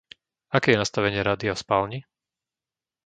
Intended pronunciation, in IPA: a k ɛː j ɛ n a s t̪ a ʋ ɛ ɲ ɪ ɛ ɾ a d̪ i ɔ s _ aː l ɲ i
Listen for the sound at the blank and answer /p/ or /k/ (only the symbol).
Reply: p